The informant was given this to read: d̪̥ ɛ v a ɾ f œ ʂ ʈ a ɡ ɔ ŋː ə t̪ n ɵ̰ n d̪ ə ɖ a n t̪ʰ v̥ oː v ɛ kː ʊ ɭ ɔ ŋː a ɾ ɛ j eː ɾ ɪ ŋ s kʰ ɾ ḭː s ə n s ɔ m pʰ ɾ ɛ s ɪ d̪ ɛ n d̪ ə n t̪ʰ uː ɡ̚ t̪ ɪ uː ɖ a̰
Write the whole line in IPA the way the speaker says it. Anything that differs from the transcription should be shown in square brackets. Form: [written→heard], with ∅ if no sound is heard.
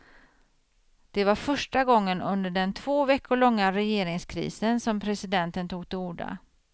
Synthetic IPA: d̪̥ ɛ v a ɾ f œ ʂ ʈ a ɡ ɔ ŋː ə [t̪→∅] n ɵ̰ n d̪ ə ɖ [a→ɛ] n t̪ʰ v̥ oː v ɛ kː ʊ ɭ ɔ ŋː a ɾ ɛ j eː ɾ ɪ ŋ s kʰ ɾ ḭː s ə n s ɔ m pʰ ɾ ɛ s ɪ d̪ ɛ n [d̪→t̪] ə n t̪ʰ uː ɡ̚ t̪ ɪ uː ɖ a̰